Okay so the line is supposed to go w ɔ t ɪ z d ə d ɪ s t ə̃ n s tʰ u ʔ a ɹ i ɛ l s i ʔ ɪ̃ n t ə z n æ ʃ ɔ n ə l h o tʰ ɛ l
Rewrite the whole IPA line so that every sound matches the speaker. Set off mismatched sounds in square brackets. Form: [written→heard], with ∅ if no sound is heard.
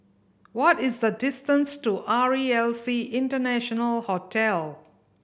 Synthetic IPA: w ɔ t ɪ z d ə d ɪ s t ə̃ n s [tʰ→t] u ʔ a ɹ i ɛ l s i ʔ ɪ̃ n t ə [z→∅] n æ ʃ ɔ n ə l h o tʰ ɛ l